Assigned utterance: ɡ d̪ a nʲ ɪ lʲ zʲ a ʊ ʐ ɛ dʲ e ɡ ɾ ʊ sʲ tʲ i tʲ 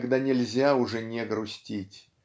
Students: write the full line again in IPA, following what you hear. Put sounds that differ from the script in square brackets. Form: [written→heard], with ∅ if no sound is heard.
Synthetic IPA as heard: ɡ d̪ a nʲ ɪ lʲ zʲ a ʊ ʐ ɛ [dʲ→nʲ] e ɡ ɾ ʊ sʲ tʲ i tʲ